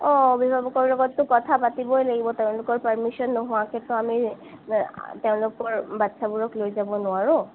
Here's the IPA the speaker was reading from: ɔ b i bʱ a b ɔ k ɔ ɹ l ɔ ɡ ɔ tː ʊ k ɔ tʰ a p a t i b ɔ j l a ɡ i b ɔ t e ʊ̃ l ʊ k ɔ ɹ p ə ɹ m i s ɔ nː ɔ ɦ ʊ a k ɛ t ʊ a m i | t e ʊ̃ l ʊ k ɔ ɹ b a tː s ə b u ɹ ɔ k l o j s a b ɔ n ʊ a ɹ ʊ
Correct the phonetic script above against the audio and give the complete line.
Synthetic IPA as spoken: ɔ b i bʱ a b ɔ k ɔ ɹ l ɔ ɡ ɔ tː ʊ k ɔ tʰ a p a t i b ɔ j l a ɡ i b ɔ t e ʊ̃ l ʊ k ɔ ɹ p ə ɹ m i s ɔ nː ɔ ɦ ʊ a k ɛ t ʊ a m i | t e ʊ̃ l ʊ k ɔ ɹ b a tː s a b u ɹ ɔ k l o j z a b ɔ n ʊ a ɹ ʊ